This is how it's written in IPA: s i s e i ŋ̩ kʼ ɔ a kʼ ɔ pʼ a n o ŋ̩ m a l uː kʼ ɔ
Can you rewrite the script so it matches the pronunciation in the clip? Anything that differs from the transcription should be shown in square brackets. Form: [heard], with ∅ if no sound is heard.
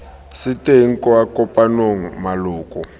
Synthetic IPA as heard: s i [t] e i ŋ̩ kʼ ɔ a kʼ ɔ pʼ a n o ŋ̩ m a l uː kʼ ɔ

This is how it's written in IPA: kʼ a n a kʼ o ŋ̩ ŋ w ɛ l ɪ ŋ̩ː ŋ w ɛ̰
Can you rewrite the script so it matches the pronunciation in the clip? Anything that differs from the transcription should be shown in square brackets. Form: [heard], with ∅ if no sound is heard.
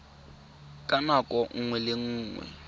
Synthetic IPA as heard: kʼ a n a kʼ [ɔ] ŋ̩ ŋ w ɛ l ɪ ŋ̩ː ŋ w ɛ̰

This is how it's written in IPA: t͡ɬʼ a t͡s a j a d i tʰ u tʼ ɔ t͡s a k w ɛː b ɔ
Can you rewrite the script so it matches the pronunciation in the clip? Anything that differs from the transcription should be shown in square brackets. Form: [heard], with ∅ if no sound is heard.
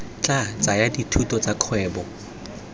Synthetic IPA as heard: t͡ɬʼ a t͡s a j a d i tʰ u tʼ ɔ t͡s a [kʰ] w ɛː b ɔ

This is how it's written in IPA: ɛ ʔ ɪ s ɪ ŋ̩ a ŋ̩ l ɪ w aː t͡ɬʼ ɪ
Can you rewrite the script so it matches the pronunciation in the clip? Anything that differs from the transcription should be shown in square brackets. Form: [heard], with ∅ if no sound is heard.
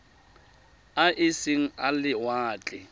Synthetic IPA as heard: [a] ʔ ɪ s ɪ ŋ̩ a [∅] l ɪ w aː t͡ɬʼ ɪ

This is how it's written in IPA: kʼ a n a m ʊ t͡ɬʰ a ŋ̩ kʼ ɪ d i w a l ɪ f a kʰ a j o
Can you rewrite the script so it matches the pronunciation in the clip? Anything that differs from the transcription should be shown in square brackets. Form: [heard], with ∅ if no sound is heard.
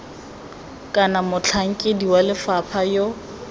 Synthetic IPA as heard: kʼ a n a m ʊ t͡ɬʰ a ŋ̩ kʼ ɪ d i w a l ɪ f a [pʰ] a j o

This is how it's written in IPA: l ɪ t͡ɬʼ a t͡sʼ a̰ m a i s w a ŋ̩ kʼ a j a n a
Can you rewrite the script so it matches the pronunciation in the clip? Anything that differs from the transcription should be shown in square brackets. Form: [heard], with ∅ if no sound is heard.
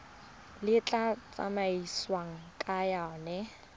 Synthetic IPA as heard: l ɪ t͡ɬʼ a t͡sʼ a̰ m a i s w a ŋ̩ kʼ a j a n [ɛ]

